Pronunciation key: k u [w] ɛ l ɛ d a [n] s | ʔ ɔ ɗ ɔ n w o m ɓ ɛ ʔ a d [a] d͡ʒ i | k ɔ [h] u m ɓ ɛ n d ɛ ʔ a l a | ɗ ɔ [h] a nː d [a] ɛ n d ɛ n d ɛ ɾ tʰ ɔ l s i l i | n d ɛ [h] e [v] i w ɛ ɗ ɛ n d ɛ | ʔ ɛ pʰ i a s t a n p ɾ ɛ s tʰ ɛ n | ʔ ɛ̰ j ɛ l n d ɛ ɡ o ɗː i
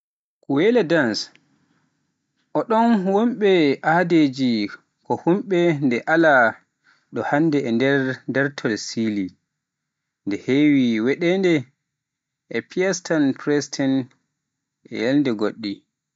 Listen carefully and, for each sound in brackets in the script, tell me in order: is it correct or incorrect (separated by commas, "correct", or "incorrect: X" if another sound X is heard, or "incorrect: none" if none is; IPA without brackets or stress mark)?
correct, correct, incorrect: e, correct, correct, incorrect: ɛ, correct, incorrect: w